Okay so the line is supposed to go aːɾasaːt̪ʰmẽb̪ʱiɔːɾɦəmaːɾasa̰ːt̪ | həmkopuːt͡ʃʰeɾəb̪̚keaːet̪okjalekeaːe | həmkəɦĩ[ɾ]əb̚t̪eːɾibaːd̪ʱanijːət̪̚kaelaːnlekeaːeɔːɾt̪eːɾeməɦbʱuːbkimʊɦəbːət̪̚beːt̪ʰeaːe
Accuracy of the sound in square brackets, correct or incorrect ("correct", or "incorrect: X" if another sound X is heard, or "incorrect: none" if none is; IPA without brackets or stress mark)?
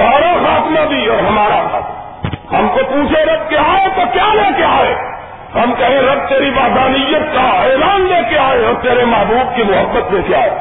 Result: correct